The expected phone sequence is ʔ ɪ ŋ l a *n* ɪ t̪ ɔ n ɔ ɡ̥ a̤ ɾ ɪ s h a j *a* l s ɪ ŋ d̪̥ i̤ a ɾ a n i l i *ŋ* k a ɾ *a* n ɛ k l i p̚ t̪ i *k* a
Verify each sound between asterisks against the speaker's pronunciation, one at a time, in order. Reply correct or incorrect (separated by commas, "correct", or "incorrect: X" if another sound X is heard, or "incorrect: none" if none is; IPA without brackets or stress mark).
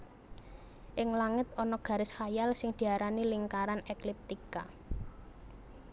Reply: incorrect: ŋ, correct, correct, correct, correct